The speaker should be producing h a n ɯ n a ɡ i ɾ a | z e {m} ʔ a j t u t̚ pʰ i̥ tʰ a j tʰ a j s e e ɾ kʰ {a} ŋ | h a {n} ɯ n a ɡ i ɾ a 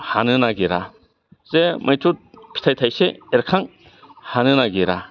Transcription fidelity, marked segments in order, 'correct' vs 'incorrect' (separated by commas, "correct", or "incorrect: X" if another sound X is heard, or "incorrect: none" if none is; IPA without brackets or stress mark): correct, correct, correct